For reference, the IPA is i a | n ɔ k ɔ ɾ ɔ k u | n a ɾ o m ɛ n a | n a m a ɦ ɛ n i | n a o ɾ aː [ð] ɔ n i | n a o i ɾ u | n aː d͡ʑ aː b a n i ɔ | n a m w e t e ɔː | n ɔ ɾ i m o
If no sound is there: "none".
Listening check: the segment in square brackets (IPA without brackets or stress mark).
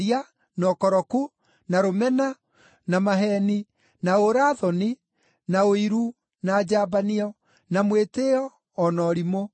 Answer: ð